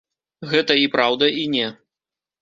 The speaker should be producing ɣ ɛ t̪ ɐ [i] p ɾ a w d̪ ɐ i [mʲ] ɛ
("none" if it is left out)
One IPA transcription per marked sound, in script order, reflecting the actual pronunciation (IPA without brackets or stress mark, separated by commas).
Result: i, nʲ